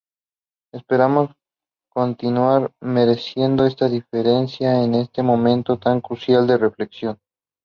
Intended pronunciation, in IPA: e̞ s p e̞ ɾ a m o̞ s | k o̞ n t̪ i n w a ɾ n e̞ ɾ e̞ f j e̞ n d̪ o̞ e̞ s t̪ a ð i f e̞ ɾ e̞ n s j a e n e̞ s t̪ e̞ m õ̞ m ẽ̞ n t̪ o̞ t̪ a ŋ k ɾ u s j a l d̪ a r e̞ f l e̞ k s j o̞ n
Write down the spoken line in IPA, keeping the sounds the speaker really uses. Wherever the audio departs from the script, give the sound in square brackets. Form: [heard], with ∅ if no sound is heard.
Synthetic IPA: e̞ s p e̞ ɾ a m o̞ s | k o̞ n t̪ i n w a ɾ [m] e̞ ɾ e̞ [s] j e̞ n d̪ o̞ e̞ s t̪ a ð i f e̞ ɾ e̞ n s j a e n e̞ s t̪ e̞ m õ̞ m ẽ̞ n t̪ o̞ t̪ a ŋ k ɾ u s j a l d̪ [e] r e̞ f l e̞ k s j o̞ n